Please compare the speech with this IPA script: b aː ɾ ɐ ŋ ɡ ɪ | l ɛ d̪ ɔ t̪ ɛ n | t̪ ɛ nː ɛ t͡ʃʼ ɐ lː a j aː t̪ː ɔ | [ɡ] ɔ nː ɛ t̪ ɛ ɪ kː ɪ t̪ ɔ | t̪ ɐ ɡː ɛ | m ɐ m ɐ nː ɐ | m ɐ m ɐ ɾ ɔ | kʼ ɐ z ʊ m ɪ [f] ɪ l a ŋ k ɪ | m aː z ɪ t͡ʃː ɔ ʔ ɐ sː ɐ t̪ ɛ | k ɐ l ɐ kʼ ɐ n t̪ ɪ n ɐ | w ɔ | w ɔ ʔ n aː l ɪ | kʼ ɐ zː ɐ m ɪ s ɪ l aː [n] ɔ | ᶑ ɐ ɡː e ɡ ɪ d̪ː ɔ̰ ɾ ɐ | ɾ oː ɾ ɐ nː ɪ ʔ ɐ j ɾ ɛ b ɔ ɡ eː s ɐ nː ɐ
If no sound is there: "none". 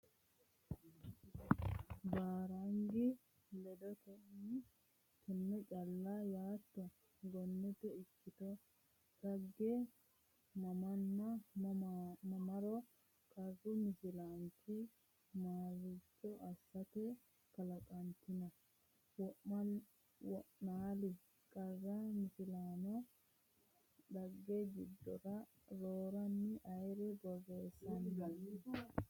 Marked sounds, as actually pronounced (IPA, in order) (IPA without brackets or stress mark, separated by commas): ɡ, s, n